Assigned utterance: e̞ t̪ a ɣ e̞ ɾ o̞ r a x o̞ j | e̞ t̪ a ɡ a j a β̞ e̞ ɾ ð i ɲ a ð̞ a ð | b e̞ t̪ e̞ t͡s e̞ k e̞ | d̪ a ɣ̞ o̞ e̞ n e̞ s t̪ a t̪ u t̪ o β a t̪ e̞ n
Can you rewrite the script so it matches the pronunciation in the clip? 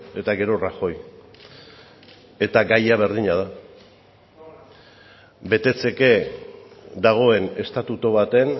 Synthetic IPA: e̞ t̪ a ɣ e̞ ɾ o̞ r a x o̞ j | e̞ t̪ a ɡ a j a β̞ e̞ ɾ ð i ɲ a ð̞ a | b e̞ t̪ e̞ t͡s e̞ k e̞ | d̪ a ɣ̞ o̞ e̞ n e̞ s t̪ a t̪ u t̪ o β a t̪ e̞ n